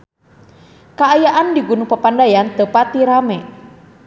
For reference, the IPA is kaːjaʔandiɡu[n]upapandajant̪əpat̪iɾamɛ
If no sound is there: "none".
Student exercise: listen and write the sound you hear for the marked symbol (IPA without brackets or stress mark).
n